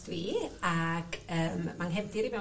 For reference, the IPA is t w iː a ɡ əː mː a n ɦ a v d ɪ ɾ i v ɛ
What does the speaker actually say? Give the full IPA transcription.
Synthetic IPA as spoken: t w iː a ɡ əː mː a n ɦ ɛ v d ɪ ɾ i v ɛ